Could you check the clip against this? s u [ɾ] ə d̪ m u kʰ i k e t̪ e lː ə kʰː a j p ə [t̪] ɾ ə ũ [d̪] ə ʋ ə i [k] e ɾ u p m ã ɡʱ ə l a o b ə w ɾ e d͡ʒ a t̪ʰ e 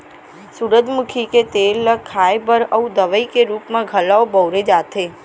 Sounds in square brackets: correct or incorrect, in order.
correct, incorrect: none, correct, correct

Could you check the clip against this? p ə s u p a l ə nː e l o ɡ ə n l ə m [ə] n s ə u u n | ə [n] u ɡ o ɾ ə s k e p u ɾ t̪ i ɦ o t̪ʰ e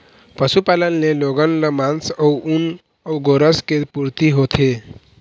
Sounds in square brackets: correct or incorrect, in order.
incorrect: a, incorrect: none

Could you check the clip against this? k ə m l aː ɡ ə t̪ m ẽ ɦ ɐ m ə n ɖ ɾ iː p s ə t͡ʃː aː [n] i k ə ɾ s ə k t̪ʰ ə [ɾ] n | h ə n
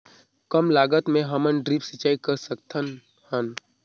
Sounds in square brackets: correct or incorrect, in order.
incorrect: none, incorrect: none

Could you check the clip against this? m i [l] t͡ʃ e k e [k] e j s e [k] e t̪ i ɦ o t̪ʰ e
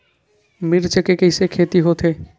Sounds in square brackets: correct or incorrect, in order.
incorrect: ɾ, correct, incorrect: kʰ

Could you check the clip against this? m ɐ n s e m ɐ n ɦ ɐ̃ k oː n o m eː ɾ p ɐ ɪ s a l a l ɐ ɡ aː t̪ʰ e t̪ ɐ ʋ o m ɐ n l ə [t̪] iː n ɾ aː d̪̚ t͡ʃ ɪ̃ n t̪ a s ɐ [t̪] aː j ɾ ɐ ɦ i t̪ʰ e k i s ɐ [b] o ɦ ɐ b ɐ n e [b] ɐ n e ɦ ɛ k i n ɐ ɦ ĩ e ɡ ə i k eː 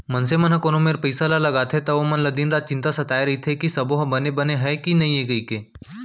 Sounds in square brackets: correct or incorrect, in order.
incorrect: d̪, correct, correct, correct

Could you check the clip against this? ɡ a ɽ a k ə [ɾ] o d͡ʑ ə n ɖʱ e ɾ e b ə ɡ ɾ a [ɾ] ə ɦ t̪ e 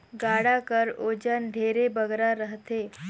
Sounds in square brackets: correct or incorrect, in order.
correct, correct

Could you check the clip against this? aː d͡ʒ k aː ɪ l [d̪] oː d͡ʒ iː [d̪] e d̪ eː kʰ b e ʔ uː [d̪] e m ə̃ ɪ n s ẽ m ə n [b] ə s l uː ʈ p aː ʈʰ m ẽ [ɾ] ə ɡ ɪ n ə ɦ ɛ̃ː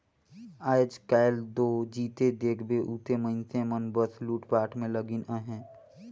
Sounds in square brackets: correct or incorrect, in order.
correct, incorrect: t̪, incorrect: t̪, correct, incorrect: l

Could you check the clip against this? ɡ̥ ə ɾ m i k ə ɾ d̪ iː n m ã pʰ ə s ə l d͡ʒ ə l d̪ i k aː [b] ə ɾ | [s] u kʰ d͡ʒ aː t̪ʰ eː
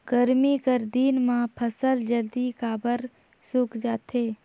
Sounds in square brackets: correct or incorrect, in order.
correct, correct

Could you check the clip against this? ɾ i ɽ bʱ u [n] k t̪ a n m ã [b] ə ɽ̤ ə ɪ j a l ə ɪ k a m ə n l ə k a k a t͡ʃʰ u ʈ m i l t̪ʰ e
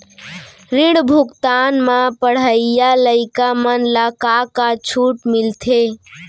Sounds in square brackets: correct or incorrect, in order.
incorrect: none, incorrect: p

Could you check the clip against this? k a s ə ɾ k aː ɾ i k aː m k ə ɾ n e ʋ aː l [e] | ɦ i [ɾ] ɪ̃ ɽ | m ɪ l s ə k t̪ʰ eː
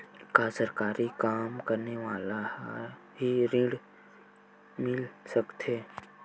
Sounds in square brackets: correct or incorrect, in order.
incorrect: a, correct

